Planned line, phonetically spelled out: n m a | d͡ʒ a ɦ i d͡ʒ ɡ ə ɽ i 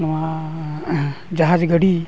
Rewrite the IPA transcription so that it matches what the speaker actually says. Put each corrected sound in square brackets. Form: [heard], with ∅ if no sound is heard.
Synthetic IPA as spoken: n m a | d͡ʒ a ɦ [a] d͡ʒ ɡ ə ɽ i